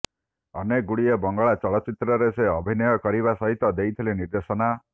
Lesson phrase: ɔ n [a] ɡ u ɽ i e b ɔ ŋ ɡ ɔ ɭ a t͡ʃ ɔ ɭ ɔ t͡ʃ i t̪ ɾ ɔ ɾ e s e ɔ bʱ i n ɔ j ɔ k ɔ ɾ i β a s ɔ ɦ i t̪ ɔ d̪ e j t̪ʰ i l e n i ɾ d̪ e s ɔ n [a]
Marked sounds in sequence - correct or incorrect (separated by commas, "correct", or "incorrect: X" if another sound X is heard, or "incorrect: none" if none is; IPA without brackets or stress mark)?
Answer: incorrect: e, correct